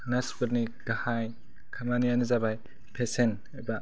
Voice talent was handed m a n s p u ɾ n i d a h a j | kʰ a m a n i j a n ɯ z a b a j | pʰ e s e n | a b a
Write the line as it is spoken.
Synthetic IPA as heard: n a s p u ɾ n i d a h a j | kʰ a m a n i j a n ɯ z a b a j | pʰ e s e n | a b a